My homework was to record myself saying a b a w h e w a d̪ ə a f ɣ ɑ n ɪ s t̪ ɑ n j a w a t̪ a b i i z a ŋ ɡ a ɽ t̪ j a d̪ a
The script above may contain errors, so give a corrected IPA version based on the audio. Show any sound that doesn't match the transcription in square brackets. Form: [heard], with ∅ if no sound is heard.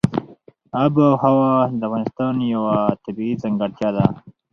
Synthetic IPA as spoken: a b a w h [a] w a d̪ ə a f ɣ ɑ n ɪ s t̪ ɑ n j a w a t̪ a b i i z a ŋ ɡ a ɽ t̪ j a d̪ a